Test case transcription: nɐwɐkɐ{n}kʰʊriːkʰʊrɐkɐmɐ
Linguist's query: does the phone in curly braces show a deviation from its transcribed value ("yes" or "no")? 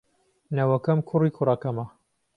yes